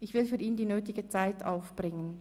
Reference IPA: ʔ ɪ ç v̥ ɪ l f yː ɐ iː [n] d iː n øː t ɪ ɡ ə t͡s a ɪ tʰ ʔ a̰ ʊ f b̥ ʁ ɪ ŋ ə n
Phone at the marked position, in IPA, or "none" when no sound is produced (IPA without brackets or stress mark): n